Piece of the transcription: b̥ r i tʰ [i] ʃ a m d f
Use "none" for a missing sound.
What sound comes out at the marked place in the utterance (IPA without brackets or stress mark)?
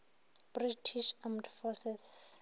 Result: i